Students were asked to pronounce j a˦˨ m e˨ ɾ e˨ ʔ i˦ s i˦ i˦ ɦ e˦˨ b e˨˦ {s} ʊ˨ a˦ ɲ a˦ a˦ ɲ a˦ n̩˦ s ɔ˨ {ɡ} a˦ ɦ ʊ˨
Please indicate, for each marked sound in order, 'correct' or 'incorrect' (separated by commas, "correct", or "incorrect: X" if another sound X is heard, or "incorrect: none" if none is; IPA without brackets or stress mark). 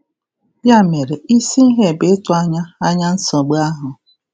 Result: incorrect: t, incorrect: ɡ͡b